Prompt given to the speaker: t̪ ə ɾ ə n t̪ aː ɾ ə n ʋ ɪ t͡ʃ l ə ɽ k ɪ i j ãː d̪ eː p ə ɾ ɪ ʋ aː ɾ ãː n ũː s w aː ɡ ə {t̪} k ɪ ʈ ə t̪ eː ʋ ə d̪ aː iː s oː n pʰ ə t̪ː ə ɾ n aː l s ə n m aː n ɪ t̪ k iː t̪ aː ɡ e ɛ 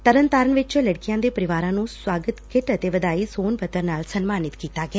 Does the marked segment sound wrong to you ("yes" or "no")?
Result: no